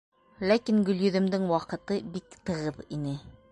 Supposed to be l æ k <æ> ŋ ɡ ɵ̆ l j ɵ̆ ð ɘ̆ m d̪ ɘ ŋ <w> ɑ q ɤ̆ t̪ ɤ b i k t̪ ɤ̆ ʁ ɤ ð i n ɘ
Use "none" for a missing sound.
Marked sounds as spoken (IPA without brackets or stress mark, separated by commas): i, w